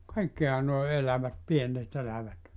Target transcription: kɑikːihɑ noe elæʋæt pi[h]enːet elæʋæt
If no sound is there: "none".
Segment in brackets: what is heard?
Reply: none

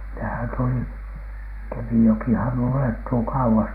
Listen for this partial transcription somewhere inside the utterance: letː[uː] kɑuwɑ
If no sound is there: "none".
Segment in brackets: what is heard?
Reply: uː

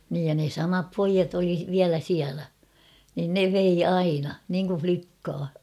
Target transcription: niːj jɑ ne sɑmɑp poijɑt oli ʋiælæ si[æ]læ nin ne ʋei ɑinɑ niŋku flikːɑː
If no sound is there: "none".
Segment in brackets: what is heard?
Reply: æ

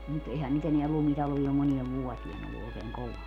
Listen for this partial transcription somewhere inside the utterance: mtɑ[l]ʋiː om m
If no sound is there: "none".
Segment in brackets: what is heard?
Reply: l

